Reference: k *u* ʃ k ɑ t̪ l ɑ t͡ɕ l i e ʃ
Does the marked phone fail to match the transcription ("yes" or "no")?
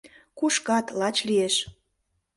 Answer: no